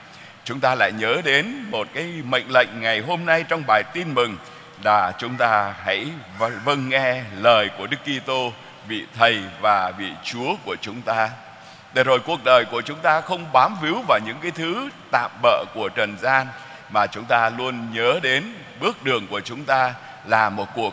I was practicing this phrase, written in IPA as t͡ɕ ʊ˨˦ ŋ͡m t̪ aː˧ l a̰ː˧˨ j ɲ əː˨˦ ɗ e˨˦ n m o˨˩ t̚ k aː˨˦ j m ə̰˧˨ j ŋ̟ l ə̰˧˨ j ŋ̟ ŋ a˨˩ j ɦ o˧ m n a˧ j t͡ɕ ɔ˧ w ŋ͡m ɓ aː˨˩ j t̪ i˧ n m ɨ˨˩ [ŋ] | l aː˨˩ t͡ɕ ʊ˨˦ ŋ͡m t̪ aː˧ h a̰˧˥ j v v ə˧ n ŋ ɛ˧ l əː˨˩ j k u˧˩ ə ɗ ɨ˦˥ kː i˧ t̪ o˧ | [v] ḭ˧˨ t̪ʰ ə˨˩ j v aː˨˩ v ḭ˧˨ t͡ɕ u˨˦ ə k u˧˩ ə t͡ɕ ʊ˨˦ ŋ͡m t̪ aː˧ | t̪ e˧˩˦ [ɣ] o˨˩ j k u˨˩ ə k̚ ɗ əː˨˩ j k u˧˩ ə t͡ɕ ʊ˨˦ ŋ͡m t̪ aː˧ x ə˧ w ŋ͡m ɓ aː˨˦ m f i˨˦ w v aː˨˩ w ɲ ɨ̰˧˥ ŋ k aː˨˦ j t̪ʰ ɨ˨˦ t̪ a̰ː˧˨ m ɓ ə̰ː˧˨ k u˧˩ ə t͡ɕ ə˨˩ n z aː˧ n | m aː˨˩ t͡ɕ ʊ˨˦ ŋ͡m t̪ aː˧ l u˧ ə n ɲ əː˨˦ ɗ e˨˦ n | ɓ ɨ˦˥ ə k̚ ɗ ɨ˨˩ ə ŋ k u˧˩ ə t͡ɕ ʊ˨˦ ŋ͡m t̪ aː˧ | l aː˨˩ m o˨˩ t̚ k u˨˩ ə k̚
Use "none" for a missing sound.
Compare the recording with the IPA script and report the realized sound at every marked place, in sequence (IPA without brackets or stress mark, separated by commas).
ŋ, v, z